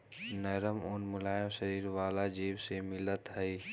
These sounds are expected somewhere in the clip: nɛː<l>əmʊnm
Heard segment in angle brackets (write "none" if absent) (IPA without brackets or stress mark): ɾ